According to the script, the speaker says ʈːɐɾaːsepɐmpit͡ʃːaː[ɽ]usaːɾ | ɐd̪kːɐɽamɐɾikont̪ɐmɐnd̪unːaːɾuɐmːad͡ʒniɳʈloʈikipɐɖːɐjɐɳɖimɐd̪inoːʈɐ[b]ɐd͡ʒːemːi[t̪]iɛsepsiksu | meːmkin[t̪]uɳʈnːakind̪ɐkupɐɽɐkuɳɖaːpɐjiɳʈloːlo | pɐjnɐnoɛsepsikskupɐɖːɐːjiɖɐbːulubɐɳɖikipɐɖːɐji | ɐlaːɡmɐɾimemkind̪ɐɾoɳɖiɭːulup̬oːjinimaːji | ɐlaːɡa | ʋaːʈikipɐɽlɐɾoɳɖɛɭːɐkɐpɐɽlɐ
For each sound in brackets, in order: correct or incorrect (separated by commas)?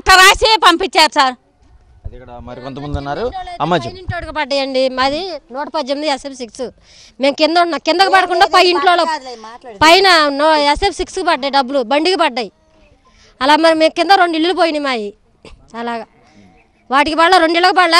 incorrect, incorrect, incorrect, incorrect